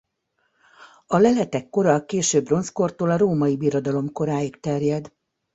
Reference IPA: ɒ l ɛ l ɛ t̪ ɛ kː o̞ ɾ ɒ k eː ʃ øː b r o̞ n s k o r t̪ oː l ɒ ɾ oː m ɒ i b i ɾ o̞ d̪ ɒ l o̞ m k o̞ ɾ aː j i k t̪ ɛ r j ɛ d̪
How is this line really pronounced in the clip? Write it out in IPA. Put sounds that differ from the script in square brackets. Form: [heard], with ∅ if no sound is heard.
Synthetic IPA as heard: ɒ l ɛ l ɛ t̪ ɛ kː o̞ ɾ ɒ k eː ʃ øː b r o̞ n s k o r t̪ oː l ɒ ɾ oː m ɒ i b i ɾ o̞ d̪ ɒ l o̞ m k o̞ ɾ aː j i k t̪ ɛ r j ɛ d̪

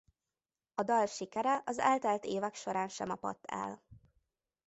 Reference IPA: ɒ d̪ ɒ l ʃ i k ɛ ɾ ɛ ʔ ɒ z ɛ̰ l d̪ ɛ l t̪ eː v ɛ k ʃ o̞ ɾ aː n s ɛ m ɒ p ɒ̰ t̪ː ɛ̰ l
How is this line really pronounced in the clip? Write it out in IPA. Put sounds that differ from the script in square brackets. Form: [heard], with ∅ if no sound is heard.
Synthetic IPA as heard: ɒ d̪ ɒ l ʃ i k ɛ ɾ ɛ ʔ ɒ z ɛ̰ l [t̪] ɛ l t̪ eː v ɛ k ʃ o̞ ɾ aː n [ʃ] ɛ m ɒ p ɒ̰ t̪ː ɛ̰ l

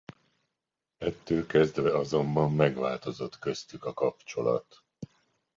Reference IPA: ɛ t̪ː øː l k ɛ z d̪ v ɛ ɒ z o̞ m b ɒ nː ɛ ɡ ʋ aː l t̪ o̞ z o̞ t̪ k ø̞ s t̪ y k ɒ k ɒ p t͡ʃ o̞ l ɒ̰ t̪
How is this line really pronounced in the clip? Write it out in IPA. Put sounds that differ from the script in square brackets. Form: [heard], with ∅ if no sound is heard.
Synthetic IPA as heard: ɛ t̪ː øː l k ɛ z d̪ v ɛ ɒ z o̞ m b ɒ [mː] ɛ ɡ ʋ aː l t̪ o̞ z o̞ t̪ k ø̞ s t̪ y k ɒ k ɒ p t͡ʃ o̞ l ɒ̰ t̪

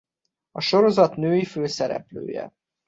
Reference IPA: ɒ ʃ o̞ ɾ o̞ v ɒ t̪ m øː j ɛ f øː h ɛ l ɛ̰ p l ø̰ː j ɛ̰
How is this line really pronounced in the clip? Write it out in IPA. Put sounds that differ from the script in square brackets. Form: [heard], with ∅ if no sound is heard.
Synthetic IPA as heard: ɒ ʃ o̞ ɾ o̞ [z] ɒ t̪ [n] øː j [i] f øː [s] ɛ [ɾ] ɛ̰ p l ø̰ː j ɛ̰

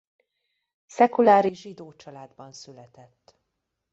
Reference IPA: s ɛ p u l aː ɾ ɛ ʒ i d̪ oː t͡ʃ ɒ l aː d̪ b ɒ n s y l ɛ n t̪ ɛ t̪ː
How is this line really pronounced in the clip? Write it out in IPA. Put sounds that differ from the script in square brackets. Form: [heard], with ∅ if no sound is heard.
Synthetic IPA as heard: s ɛ [k] u l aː ɾ [i] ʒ i d̪ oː t͡ʃ ɒ l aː d̪ b ɒ n s y l ɛ [∅] t̪ ɛ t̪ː

